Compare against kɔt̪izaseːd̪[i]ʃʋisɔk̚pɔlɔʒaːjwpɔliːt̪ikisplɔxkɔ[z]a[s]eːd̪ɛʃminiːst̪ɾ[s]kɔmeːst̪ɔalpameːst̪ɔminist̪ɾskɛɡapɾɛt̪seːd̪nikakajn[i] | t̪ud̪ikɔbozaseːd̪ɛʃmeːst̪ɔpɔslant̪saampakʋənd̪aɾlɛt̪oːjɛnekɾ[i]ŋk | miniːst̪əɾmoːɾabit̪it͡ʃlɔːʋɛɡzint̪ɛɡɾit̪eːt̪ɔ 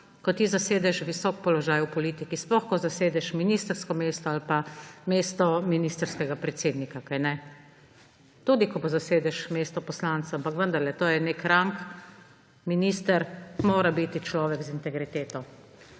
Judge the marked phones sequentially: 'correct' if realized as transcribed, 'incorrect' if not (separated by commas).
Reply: incorrect, correct, correct, correct, incorrect, incorrect